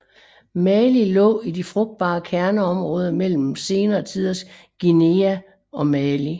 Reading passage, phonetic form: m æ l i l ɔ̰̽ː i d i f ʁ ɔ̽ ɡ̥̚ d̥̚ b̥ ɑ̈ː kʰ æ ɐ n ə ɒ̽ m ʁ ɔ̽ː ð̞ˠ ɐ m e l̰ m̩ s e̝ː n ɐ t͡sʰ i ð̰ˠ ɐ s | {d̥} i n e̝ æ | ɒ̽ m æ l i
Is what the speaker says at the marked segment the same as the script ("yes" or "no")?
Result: no